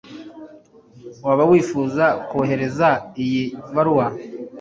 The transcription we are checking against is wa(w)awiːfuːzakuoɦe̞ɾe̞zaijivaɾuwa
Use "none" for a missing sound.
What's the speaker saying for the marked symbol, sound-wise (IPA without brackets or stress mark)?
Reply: β